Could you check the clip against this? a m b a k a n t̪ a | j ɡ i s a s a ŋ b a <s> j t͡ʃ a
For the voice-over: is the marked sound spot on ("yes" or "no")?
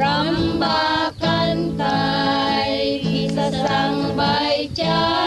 no